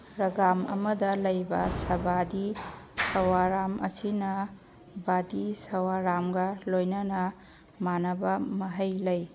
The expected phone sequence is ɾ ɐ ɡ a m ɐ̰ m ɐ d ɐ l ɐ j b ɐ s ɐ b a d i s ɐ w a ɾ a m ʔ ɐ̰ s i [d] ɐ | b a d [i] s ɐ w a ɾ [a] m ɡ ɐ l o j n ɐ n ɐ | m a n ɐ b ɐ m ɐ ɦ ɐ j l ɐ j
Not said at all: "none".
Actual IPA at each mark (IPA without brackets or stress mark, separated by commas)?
n, i, a